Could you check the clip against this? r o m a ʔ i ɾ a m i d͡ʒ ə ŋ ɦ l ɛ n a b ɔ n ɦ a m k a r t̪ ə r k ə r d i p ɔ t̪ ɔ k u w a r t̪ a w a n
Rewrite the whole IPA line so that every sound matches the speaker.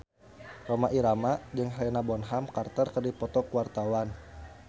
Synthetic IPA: r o m a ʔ i ɾ a m a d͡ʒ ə ŋ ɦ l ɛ n a b ɔ n ɦ a m k a r t̪ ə r k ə r d i p ɔ t̪ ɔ k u w a r t̪ a w a n